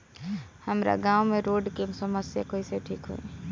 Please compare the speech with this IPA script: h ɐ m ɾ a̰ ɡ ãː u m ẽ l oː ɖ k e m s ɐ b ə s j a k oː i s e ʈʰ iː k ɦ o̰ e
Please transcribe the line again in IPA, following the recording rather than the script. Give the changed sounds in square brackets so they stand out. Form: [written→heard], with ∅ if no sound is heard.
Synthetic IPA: h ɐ m ɾ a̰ ɡ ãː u m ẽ [l→ɾ] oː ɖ k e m s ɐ [b→m] ə s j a k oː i s e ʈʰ iː k ɦ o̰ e